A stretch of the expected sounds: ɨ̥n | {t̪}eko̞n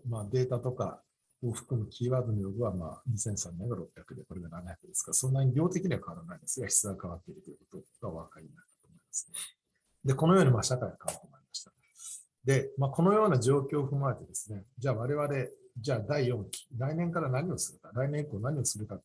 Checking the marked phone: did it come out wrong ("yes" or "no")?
yes